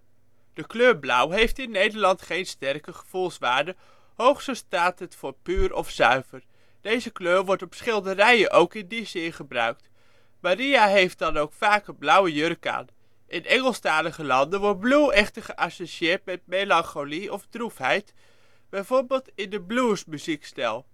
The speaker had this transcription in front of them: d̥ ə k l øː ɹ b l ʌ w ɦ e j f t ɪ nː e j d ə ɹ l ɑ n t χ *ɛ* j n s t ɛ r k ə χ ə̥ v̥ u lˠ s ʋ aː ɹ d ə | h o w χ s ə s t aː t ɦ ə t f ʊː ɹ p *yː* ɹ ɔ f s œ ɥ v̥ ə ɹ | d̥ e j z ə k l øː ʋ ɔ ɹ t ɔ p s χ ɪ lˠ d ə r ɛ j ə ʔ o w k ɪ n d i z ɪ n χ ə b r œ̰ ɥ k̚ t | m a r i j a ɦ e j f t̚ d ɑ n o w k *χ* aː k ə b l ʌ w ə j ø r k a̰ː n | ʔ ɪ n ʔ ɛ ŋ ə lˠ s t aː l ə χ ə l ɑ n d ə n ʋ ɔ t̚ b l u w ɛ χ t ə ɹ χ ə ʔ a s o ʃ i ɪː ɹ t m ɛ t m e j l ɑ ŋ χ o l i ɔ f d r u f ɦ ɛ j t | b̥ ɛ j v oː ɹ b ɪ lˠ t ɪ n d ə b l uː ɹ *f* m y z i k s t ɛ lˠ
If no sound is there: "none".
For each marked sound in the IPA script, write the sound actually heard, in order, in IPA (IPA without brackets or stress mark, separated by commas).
e, yː, f, s